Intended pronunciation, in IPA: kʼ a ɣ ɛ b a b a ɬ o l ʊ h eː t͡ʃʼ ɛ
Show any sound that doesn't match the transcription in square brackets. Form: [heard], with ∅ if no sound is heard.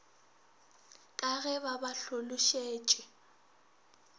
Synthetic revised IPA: kʼ a ɣ ɛ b a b a ɬ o l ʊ [ʃ] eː t͡ʃʼ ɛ